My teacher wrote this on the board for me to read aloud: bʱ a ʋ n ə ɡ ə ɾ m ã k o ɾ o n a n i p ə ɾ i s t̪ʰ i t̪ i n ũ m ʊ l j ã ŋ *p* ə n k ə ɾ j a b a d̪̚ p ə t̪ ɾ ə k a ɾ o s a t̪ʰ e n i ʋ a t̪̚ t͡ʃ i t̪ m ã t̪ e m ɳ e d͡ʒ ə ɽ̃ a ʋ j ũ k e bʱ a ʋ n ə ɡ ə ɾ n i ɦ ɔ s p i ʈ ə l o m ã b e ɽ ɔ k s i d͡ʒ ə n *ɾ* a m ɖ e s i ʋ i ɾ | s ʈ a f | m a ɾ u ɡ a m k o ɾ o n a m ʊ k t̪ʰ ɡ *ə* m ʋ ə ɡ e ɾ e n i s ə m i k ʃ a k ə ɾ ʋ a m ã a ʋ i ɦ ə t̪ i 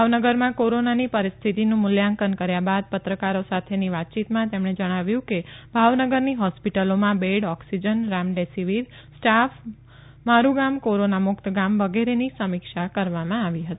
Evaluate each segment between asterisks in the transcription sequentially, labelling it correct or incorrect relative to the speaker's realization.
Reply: incorrect, correct, incorrect

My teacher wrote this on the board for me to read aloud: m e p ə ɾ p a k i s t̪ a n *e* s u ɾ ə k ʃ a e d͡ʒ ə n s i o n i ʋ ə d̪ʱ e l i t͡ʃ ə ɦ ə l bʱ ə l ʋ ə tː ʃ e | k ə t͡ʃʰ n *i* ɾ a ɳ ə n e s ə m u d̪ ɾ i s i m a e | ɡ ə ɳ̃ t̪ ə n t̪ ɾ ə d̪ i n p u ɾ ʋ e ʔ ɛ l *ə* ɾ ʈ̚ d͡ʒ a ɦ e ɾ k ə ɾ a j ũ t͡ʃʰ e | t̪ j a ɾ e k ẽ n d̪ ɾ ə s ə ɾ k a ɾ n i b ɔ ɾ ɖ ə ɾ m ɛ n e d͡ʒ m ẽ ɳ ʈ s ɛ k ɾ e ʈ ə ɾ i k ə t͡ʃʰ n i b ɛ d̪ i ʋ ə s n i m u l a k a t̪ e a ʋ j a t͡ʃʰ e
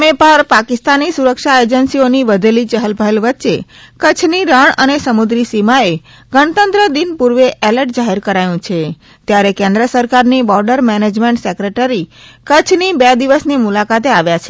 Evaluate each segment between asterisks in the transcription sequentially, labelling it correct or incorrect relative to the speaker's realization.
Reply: incorrect, correct, correct

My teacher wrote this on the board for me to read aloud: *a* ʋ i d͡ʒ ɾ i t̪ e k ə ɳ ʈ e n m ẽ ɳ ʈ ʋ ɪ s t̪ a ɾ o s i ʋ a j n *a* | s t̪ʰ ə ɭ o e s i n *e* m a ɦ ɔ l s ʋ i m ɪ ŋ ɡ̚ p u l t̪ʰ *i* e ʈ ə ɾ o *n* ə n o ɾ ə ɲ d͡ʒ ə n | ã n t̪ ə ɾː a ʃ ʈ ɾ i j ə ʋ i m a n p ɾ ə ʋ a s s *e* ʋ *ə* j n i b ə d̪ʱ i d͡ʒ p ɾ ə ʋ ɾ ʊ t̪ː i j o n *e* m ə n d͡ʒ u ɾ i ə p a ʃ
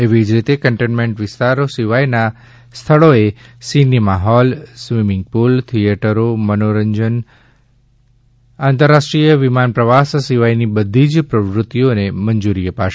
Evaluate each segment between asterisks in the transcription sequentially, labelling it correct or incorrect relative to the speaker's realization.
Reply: incorrect, correct, incorrect, correct, incorrect, incorrect, incorrect, correct

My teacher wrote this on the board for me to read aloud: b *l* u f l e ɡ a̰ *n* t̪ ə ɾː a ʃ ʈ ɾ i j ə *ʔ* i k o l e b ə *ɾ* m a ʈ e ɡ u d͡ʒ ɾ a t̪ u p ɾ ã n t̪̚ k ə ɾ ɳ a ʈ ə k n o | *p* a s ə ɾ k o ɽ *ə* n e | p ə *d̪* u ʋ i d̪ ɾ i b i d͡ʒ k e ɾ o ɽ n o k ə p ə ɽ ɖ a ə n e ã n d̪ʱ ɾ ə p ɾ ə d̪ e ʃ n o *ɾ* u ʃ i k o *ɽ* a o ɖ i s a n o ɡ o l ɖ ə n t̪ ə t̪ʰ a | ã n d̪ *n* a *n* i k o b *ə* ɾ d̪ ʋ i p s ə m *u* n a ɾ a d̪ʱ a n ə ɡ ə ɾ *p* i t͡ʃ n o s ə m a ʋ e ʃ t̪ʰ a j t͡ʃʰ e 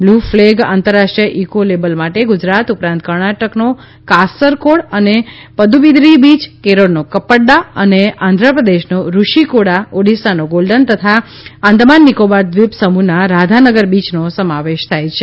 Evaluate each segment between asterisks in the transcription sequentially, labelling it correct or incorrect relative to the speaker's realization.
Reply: correct, correct, correct, incorrect, incorrect, correct, correct, correct, correct, incorrect, incorrect, incorrect, correct, incorrect

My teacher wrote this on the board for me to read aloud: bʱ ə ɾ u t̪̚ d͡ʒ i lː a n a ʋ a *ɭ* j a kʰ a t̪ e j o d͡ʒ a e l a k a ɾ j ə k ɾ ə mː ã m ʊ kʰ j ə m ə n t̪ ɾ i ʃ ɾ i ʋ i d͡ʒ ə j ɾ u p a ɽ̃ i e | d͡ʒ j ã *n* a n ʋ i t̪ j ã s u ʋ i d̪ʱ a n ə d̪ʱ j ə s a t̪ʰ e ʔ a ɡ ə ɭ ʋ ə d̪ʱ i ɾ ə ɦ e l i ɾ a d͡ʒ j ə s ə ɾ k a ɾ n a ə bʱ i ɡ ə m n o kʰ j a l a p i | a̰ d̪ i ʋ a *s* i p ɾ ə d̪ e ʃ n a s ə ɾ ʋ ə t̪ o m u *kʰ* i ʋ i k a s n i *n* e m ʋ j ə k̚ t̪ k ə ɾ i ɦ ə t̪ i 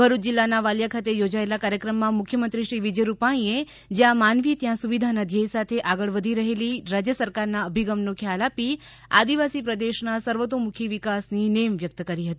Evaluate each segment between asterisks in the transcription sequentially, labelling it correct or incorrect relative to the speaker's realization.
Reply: incorrect, incorrect, correct, correct, correct

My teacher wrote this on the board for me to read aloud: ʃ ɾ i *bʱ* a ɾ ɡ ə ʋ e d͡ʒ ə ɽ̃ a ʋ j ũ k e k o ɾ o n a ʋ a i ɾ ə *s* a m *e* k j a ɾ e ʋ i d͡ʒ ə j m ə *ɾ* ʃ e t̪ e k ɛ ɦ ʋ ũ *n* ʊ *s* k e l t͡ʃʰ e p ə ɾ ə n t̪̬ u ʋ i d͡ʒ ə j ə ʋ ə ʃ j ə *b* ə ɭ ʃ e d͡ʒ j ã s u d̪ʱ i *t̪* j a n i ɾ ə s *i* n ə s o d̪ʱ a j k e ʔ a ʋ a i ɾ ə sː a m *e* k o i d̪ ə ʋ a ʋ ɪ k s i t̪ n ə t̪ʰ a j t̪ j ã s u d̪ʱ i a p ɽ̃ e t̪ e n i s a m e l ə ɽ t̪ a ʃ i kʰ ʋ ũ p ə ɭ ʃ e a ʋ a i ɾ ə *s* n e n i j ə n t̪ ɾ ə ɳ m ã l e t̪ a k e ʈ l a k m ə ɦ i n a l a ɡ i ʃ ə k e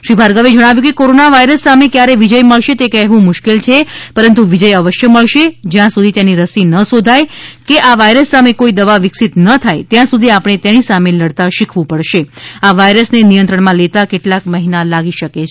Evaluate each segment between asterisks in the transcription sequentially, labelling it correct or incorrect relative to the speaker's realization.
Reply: correct, incorrect, correct, incorrect, incorrect, incorrect, incorrect, correct, correct, correct, correct

